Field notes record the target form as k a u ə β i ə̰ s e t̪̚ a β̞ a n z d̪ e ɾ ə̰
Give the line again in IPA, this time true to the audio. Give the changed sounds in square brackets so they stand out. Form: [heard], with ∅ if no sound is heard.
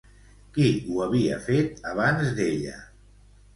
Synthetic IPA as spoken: k [i] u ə β i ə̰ [f] e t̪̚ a β̞ a n z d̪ e [ʎ] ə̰